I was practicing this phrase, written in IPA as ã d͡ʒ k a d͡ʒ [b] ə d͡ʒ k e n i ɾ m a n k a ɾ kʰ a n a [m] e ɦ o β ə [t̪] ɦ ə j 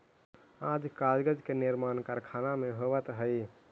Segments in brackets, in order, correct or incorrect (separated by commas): incorrect, correct, correct